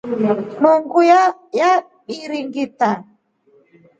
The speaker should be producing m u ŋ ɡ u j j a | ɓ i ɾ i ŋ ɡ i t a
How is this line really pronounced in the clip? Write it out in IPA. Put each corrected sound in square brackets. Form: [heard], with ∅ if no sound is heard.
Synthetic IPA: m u ŋ ɡ u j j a | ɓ i ɾ i ŋ ɡ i t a

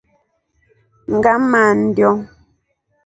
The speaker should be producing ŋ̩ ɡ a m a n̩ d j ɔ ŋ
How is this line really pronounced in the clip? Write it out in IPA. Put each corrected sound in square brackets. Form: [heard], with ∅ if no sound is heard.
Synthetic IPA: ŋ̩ ɡ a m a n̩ d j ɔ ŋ

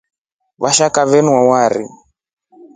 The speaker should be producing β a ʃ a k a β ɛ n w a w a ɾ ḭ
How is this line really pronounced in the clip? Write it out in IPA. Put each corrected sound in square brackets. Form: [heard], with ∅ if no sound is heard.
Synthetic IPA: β a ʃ a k a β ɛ n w a w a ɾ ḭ

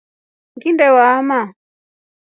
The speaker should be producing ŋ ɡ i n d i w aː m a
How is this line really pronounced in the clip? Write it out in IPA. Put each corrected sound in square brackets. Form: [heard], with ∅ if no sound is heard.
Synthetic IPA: ŋ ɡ i n d [ɛ] w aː m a

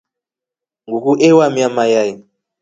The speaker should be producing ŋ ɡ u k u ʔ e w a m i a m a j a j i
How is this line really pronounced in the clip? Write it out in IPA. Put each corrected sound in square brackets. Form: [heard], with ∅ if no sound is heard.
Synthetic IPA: ŋ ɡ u k u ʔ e w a m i a m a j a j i

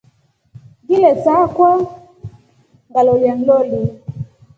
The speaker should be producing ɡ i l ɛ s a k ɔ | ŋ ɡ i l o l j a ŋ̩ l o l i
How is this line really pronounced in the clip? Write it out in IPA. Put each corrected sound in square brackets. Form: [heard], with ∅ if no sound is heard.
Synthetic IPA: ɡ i l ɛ s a k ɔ | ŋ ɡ [a] l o l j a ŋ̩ l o l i

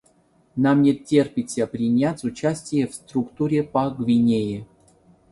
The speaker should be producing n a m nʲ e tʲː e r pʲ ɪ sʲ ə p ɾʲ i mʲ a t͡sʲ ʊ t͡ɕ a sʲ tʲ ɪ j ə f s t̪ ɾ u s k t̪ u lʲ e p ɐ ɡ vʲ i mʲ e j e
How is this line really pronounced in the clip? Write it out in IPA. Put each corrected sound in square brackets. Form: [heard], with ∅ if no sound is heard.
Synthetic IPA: n a m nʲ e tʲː e r pʲ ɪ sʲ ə p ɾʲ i [nʲ] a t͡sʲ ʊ t͡ɕ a sʲ tʲ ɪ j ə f s t̪ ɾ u [∅] k t̪ u [ɾʲ] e p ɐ ɡ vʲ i [nʲ] e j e

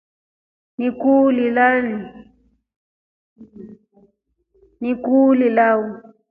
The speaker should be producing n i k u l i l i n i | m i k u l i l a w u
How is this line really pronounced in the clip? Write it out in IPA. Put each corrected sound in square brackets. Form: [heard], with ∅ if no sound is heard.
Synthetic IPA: n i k u l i l [a] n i | [n] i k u l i l a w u

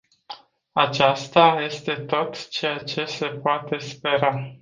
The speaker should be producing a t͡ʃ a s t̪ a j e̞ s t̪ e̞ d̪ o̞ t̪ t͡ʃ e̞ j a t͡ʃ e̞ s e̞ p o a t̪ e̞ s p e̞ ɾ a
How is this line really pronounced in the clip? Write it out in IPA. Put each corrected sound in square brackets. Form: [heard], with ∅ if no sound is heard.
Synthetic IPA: a t͡ʃ a s t̪ a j e̞ s t̪ e̞ [t̪] o̞ t̪ t͡ʃ e̞ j a t͡ʃ e̞ s e̞ p o a t̪ e̞ s p e̞ ɾ a

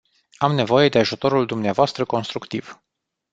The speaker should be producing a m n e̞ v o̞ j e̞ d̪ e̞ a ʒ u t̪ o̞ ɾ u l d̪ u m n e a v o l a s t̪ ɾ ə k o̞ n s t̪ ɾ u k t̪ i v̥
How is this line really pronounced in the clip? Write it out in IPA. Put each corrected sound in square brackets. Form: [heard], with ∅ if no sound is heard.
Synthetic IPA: a m n e̞ v o̞ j e̞ d̪ e̞ a ʒ u t̪ o̞ ɾ u l d̪ u m n e a v o [∅] a s t̪ ɾ ə k o̞ n s t̪ ɾ u k t̪ i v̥

